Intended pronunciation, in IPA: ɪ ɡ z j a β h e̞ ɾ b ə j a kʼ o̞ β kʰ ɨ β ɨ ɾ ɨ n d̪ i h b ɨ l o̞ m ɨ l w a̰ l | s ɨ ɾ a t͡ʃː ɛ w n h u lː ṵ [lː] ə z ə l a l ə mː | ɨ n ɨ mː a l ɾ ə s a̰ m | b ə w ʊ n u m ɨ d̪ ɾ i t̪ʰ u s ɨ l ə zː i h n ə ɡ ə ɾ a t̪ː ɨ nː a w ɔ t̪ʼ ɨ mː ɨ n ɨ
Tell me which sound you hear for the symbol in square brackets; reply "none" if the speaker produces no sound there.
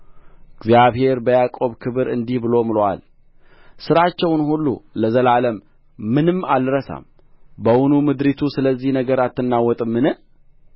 l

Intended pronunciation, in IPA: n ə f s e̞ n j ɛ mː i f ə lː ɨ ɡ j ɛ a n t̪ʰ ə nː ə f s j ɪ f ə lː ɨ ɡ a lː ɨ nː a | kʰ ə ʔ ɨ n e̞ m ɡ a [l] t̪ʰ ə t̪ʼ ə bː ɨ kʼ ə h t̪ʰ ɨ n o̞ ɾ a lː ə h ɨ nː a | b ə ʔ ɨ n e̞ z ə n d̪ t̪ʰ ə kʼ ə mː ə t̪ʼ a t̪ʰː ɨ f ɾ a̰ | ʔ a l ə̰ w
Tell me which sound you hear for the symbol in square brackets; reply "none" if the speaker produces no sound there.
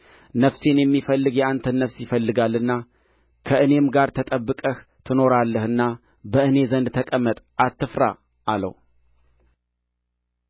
ɾ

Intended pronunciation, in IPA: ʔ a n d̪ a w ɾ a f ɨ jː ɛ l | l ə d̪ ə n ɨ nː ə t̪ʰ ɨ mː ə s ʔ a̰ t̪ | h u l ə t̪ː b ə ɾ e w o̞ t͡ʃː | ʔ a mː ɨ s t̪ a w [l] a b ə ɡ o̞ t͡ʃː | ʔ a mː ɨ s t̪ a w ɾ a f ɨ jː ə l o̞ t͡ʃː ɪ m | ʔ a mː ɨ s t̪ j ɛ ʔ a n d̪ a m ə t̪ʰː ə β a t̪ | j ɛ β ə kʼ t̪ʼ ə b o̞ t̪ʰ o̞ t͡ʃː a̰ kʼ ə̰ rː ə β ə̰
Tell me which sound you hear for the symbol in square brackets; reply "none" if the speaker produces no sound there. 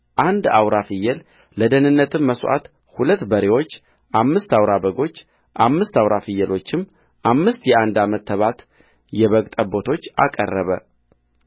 ɾ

